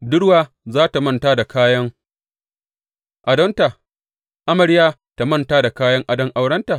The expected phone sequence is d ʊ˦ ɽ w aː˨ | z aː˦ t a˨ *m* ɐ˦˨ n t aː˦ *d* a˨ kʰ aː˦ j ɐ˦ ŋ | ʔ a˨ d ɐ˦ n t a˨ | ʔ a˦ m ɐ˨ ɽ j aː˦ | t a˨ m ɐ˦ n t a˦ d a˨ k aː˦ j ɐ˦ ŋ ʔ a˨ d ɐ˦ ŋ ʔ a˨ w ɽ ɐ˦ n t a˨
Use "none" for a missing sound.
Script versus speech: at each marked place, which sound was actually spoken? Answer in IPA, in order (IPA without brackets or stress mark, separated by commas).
m, d